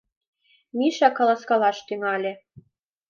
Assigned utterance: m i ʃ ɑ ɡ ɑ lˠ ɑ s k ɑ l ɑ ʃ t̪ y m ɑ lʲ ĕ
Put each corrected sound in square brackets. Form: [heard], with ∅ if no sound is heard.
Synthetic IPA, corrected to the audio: m i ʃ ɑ [k] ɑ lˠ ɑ s k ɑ l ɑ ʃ t̪ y [ŋ] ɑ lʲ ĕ